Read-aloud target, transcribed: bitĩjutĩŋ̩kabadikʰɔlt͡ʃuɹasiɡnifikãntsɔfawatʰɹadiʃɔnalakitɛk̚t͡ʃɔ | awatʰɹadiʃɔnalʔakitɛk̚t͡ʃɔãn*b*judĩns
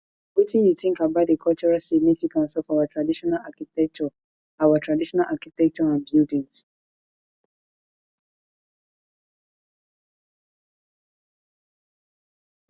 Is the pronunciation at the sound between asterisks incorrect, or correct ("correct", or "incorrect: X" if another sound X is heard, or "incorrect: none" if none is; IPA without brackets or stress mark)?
correct